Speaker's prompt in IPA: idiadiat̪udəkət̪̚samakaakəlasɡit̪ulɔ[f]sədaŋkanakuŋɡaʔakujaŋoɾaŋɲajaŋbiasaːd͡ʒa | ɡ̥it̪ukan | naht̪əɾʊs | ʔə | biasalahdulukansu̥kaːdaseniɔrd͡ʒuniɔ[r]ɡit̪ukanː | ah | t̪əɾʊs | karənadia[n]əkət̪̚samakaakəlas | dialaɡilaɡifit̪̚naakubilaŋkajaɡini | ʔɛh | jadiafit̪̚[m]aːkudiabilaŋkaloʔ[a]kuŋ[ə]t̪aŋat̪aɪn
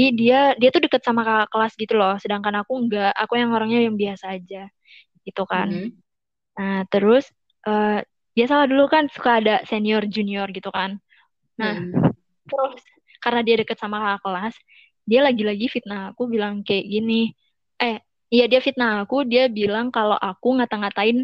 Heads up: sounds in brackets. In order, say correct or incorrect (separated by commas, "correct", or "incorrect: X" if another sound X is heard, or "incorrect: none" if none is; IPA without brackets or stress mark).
incorrect: h, correct, incorrect: d, incorrect: n, correct, incorrect: a